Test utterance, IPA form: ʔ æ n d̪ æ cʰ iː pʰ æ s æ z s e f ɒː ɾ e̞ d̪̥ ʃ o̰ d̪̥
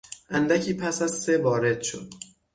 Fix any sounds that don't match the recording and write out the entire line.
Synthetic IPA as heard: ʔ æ n d̪ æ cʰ iː pʰ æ s æ z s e v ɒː ɾ e̞ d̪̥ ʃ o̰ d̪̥